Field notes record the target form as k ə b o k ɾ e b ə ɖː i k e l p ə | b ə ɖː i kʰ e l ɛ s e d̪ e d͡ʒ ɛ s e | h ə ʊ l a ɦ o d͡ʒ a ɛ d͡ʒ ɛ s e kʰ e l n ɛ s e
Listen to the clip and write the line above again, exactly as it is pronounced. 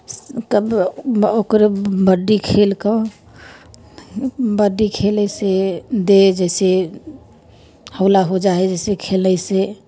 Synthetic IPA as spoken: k ə b o k ɾ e b ə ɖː i kʰ e l k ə | b ə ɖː i kʰ e l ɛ s e d̪ e d͡ʒ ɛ s e | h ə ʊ l a ɦ o d͡ʒ a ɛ d͡ʒ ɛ s e kʰ e l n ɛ s e